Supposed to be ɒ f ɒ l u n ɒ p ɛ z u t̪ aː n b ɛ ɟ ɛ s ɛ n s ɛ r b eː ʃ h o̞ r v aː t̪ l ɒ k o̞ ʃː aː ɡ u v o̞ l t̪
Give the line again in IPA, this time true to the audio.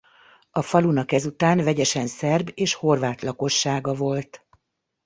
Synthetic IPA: ɒ f ɒ l u n ɒ k ɛ z u t̪ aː n v ɛ ɟ ɛ ʃ ɛ n s ɛ r b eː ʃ h o̞ r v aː t̪ l ɒ k o̞ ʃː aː ɡ ɒ v o̞ l t̪

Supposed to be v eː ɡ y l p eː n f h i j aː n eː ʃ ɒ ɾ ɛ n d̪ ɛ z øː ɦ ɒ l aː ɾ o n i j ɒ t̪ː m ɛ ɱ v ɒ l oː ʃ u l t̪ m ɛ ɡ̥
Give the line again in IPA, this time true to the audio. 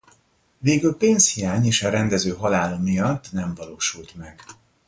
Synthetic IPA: v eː ɡ y l p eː n s h i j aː ɲ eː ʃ ɒ ɾ ɛ n d̪ ɛ z øː ɦ ɒ l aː l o m i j ɒ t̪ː n ɛ ɱ v ɒ l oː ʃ u l t̪ m ɛ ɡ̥

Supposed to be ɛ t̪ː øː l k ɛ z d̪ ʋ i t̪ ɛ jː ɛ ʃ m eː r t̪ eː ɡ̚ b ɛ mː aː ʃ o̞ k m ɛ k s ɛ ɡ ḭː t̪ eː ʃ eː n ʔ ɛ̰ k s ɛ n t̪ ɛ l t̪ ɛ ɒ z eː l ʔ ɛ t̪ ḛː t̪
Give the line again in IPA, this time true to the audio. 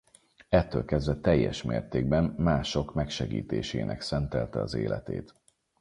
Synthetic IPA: ɛ t̪ː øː l k ɛ z d̪ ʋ ɛ t̪ ɛ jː ɛ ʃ m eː r t̪ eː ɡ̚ b ɛ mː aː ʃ o̞ k m ɛ k ʃ ɛ ɡ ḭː t̪ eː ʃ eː n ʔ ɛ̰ k s ɛ n t̪ ɛ l t̪ ɛ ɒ z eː l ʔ ɛ t̪ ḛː t̪

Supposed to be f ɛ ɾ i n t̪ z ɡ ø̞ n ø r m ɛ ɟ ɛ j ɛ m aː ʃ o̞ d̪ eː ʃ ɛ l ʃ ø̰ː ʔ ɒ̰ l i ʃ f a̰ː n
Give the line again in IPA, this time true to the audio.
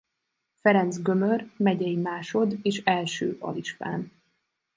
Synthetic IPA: f ɛ ɾ ɛ n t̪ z ɡ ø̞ m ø r m ɛ ɟ ɛ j i m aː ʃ o̞ d̪ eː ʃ ɛ l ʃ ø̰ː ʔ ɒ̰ l i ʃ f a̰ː n

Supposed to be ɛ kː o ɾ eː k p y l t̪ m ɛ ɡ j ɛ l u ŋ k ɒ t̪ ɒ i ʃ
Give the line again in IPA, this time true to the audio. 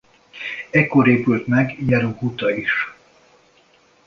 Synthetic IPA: ɛ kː o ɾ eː p y l t̪ m ɛ ɡ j ɛ ɾ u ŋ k u t̪ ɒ i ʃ

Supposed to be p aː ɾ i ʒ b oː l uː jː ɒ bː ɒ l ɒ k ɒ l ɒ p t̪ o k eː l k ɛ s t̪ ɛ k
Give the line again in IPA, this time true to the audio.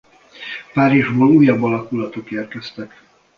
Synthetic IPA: p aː ɾ i ʒ b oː l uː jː ɒ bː ɒ l ɒ k u l ɒ t̪ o k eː r k ɛ s t̪ ɛ k

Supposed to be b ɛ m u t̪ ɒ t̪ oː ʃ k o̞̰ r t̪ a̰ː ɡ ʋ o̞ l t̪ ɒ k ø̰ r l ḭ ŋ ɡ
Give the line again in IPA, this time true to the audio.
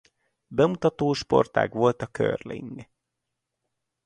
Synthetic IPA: b ɛ m u t̪ ɒ t̪ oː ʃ p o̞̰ r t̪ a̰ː ɡ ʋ o̞ l t̪ ɒ k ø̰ r l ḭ ŋ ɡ

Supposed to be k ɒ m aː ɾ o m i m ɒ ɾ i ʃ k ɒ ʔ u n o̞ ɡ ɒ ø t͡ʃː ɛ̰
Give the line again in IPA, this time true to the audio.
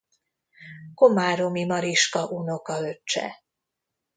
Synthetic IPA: k o m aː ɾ o m i m ɒ ɾ i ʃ k ɒ ʔ u n o̞ k ɒ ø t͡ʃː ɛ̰

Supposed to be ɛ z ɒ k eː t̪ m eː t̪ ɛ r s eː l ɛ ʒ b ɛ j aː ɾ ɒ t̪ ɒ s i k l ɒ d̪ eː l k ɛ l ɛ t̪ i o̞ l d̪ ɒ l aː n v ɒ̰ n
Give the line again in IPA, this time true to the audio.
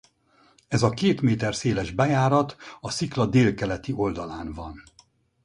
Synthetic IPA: ɛ z ɒ k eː t̪ m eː t̪ ɛ r s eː l ɛ ʒ b ɛ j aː ɾ ɒ t̪ ɒ s i k l ɒ d̪ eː l k ɛ l ɛ t̪ i o̞ l d̪ ɒ l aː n v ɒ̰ n

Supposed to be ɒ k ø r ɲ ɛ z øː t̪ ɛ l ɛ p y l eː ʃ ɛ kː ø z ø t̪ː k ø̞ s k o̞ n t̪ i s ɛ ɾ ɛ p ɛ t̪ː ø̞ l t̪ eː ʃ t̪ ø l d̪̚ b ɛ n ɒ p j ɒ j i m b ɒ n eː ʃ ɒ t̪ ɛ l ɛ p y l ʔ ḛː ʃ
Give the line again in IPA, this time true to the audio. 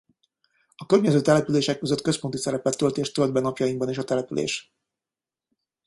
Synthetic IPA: ɒ k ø r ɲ ɛ z øː t̪ ɛ l ɛ p y l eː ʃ ɛ kː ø z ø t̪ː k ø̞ s p o̞ n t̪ i s ɛ ɾ ɛ p ɛ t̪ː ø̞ l t̪ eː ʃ t̪ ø l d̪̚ b ɛ n ɒ p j ɒ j i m b ɒ n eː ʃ ɒ t̪ ɛ l ɛ p y l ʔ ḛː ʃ

